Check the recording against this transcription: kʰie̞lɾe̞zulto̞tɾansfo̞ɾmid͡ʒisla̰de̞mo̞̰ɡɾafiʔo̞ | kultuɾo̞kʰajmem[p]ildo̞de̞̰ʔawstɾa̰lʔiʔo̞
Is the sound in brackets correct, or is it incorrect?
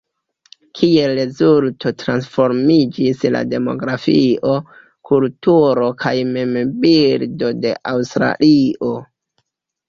incorrect